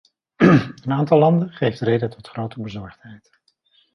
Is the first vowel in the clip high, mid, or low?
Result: mid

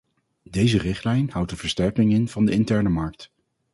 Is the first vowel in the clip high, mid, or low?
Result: mid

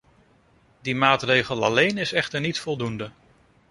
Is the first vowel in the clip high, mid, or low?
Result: high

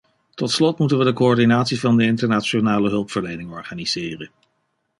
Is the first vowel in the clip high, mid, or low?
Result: mid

